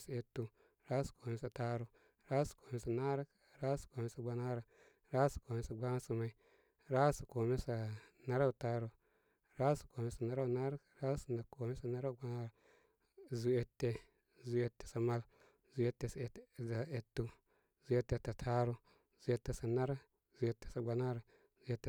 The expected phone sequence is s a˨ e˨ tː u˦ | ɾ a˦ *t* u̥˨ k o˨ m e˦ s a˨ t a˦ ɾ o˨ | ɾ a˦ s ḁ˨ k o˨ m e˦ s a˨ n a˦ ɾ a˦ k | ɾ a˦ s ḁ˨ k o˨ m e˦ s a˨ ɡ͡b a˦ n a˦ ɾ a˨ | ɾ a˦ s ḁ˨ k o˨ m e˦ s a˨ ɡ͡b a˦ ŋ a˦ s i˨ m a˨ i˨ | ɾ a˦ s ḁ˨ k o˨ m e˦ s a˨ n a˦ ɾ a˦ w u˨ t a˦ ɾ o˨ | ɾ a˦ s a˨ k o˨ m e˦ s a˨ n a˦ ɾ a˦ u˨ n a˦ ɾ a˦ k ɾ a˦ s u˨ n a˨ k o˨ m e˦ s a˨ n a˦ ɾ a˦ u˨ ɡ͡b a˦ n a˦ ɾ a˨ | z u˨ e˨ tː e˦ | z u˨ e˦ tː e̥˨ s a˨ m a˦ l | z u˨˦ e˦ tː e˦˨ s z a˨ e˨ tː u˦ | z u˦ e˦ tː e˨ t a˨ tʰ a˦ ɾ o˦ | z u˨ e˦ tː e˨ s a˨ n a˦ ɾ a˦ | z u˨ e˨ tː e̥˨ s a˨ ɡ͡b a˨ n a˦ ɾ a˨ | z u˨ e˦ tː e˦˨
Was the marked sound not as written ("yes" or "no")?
yes